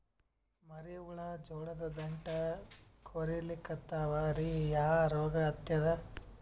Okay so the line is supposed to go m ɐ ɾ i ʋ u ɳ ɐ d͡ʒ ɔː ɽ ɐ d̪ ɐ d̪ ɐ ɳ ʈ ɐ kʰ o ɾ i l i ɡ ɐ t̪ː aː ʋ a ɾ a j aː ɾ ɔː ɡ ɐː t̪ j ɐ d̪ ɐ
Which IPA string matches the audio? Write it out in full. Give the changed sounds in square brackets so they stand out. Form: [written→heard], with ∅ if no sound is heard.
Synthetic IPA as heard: m ɐ ɾ i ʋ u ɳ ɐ d͡ʒ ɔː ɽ ɐ d̪ ɐ d̪ ɐ ɳ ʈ ɐ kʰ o ɾ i l i [ɡ→k] ɐ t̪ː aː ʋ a ɾ [a→i] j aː ɾ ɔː ɡ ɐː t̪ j ɐ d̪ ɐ